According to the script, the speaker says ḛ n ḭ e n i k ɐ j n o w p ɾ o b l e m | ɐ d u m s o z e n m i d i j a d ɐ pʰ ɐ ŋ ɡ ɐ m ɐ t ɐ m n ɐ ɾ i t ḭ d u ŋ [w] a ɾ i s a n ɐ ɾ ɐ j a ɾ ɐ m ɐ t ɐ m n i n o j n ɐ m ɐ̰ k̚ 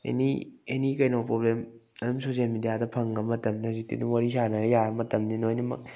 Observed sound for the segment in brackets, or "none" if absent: w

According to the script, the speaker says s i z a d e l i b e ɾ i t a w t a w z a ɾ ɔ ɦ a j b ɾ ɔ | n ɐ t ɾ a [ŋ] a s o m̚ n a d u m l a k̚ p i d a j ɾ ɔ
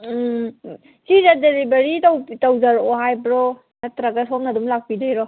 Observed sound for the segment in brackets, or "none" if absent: ɡ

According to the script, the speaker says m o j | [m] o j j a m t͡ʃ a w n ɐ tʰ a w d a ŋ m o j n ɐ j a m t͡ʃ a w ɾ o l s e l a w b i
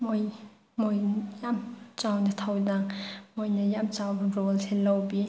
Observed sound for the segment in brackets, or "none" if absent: m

